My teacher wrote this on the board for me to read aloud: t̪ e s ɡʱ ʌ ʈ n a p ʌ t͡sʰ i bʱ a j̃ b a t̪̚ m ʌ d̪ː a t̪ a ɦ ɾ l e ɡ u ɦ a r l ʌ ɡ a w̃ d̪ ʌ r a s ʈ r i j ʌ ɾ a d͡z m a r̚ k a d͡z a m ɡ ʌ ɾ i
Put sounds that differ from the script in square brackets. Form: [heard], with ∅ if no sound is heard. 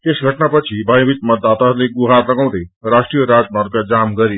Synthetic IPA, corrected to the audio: t̪ e s ɡʱ ʌ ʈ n a p ʌ t͡sʰ i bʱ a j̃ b [i] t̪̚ m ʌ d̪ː a t̪ a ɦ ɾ l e ɡ u ɦ a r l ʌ ɡ a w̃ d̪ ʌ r a s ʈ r i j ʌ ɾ a d͡z m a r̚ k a d͡z a m ɡ ʌ ɾ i